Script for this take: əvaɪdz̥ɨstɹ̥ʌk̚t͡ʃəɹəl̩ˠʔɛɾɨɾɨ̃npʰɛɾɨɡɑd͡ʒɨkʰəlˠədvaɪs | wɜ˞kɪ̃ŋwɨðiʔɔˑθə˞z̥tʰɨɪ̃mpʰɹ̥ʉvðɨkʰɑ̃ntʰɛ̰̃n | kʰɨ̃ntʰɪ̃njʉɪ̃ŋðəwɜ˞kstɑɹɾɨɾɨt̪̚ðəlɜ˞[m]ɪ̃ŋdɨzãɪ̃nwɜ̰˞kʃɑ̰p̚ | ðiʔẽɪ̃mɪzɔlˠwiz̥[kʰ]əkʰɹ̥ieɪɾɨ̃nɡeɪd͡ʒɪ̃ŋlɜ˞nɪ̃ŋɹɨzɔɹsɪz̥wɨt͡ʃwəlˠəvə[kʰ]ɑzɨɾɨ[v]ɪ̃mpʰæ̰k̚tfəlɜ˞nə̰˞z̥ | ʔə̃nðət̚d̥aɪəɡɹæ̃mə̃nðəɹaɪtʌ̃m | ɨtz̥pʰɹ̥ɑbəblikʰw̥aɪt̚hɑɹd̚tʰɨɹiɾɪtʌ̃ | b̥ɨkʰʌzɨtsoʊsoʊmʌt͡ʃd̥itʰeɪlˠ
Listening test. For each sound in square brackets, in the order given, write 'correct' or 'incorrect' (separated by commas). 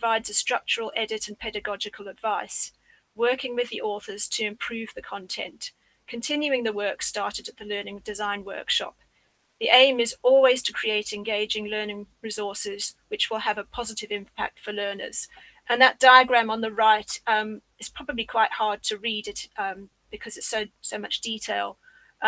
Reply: incorrect, incorrect, incorrect, correct